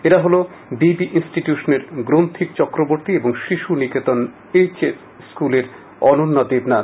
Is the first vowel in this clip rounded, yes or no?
no